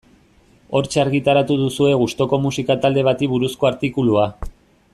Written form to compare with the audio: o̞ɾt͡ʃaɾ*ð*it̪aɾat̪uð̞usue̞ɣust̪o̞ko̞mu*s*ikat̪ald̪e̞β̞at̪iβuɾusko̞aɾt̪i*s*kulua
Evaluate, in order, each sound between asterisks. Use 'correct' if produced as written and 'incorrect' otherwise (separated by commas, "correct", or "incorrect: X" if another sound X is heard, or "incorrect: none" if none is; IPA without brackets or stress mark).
incorrect: ɣ, correct, incorrect: none